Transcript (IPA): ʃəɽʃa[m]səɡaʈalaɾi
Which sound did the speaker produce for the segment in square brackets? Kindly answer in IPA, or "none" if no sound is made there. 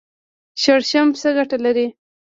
m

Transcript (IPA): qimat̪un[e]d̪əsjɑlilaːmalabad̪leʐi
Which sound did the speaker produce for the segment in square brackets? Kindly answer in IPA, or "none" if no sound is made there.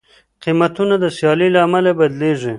a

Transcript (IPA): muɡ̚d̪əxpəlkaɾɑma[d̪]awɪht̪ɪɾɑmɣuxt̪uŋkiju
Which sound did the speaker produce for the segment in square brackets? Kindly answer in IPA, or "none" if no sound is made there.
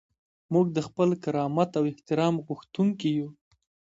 t̪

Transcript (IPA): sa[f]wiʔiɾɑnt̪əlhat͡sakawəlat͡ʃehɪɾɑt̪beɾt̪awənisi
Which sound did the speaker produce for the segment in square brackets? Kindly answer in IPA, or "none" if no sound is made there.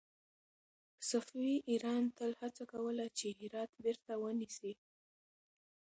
f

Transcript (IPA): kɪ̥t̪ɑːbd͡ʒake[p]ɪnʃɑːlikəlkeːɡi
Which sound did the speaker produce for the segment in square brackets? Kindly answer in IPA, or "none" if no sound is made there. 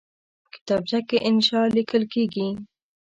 ʔ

